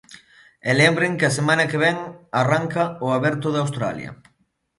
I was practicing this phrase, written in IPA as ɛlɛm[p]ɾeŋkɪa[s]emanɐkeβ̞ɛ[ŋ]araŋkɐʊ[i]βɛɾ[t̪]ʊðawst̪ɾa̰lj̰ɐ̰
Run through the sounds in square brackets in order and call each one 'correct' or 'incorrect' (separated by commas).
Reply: incorrect, correct, correct, incorrect, correct